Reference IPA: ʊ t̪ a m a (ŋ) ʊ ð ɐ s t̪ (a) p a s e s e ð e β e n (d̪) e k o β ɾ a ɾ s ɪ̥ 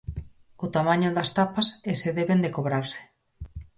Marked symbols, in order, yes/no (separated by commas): no, yes, yes